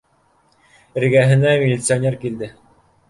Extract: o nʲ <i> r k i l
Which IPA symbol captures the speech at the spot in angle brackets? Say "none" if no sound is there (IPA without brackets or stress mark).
e